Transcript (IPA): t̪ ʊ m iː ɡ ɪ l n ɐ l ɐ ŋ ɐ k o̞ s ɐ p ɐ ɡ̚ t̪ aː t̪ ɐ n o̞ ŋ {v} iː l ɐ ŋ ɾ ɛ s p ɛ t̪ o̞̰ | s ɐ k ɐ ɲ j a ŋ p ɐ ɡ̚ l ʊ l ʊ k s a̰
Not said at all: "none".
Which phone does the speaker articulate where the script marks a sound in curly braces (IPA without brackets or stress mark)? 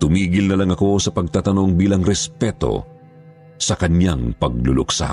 b